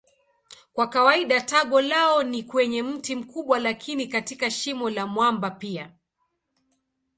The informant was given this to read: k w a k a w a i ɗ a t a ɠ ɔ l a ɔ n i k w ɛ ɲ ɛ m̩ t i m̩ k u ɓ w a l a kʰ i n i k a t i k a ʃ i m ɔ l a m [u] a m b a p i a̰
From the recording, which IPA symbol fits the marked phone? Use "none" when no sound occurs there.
w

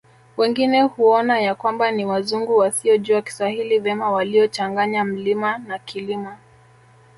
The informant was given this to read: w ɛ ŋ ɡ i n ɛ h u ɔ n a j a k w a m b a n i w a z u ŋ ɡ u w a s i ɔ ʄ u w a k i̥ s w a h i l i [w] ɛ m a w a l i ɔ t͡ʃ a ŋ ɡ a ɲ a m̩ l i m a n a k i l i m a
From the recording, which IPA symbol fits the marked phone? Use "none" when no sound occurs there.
v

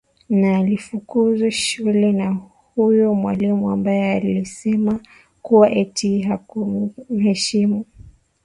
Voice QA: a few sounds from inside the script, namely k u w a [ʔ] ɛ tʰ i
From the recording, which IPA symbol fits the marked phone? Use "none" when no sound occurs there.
ʔ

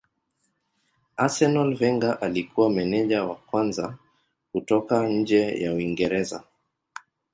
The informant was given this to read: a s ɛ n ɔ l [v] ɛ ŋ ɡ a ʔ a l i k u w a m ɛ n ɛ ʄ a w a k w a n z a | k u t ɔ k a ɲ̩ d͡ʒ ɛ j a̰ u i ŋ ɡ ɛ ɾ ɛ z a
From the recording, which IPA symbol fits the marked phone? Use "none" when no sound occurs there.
v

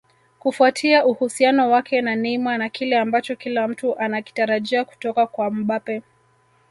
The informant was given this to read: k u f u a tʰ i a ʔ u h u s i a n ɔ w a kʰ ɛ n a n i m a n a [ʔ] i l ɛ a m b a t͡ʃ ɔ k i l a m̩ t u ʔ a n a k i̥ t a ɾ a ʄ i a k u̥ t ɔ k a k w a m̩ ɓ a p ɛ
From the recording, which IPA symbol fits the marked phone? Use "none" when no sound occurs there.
k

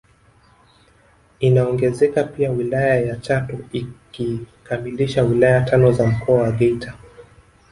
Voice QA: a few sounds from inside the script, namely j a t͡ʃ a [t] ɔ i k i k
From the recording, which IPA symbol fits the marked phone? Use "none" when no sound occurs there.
t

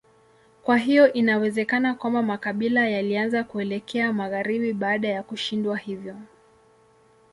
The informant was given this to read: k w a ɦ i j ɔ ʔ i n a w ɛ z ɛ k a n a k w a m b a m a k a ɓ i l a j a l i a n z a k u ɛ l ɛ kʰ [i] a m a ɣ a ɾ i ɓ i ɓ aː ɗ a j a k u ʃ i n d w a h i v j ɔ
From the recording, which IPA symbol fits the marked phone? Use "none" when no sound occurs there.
ɛ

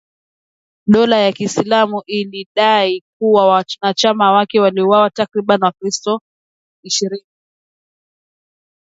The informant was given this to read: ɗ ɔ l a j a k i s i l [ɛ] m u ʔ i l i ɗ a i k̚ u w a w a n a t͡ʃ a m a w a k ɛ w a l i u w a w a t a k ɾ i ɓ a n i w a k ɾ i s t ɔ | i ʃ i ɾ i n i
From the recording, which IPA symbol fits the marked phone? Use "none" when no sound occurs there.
a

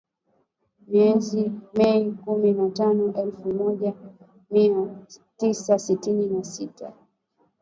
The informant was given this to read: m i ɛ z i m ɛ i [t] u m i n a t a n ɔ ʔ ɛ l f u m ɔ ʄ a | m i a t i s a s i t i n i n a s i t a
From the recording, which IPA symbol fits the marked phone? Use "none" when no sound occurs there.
k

